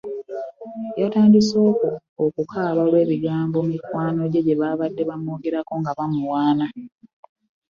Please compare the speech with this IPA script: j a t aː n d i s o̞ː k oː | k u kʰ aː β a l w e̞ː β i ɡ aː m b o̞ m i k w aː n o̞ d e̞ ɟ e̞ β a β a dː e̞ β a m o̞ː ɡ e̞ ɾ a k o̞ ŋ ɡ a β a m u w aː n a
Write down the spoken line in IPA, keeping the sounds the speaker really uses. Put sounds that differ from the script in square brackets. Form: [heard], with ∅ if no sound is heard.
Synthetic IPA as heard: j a t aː n d i s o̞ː k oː | k u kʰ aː β a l w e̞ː β i ɡ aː m b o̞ m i k w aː n o̞ [ɟ] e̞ ɟ e̞ β a β a dː e̞ β a m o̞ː ɡ e̞ ɾ a k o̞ ŋ ɡ a β a m u w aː n a